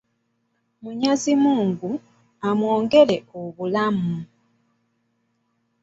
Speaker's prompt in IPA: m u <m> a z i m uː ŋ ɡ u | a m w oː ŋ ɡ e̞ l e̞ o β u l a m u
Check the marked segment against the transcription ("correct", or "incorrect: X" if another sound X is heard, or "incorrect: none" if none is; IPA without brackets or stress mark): incorrect: ɲ